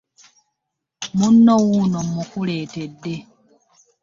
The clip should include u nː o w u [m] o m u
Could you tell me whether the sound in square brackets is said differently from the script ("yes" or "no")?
yes